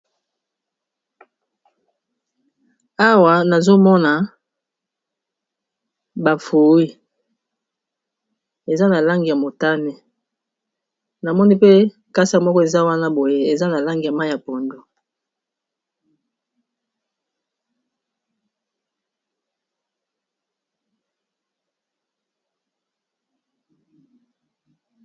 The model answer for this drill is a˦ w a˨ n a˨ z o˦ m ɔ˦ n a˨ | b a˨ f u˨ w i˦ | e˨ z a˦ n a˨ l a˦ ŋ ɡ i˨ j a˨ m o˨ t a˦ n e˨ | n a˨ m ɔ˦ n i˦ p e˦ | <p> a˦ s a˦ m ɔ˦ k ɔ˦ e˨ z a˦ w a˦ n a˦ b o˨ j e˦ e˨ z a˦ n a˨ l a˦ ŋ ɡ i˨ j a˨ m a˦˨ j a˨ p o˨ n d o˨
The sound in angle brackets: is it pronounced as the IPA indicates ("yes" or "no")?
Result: no